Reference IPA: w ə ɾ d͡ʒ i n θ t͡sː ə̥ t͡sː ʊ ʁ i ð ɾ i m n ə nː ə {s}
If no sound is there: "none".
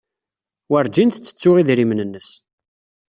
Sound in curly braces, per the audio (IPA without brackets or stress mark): s